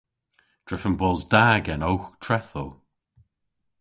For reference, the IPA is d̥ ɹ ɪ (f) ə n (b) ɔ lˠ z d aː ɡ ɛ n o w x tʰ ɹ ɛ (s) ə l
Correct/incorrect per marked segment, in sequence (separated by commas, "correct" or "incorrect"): correct, correct, incorrect